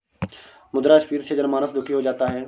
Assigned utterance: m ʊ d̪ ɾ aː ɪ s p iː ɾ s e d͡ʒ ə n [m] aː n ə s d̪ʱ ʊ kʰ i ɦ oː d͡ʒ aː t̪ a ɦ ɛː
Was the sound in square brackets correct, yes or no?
yes